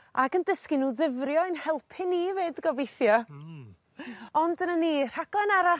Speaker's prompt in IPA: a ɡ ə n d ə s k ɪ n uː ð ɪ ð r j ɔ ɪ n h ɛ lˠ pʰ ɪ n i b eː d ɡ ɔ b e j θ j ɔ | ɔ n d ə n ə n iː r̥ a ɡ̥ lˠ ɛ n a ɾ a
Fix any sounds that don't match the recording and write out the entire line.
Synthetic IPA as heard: a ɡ ə n d ə s k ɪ n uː ð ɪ v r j ɔ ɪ n h ɛ lˠ pʰ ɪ n i v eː d ɡ ɔ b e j θ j ɔ | ɔ n d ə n ə n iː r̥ a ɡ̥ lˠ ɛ n a ɾ a